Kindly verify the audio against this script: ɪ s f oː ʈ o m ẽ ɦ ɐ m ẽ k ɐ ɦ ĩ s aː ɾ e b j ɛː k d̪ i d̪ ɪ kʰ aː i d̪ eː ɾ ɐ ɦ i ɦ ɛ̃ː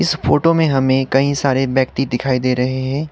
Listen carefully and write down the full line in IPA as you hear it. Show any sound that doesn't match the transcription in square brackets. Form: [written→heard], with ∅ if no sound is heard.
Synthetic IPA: ɪ s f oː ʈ o m ẽ ɦ ɐ m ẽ k ɐ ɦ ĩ s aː ɾ e b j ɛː k [d̪→t̪] i d̪ ɪ kʰ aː i d̪ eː ɾ ɐ ɦ [i→e] ɦ ɛ̃ː